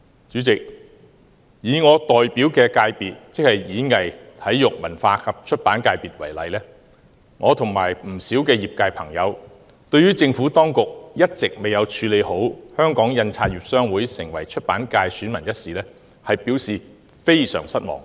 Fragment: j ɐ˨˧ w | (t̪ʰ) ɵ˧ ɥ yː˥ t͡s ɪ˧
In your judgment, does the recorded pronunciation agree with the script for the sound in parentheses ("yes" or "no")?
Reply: no